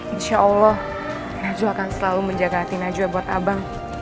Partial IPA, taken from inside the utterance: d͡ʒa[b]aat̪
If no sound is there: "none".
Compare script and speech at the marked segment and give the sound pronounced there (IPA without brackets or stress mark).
ɡ